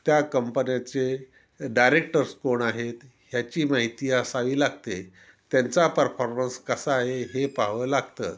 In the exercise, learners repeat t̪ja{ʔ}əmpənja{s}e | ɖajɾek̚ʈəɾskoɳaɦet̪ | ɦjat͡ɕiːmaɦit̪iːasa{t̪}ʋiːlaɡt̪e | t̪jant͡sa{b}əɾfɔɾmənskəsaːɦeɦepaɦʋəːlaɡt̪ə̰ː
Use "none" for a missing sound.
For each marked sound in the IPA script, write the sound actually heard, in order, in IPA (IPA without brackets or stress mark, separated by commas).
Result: k, t͡s, none, p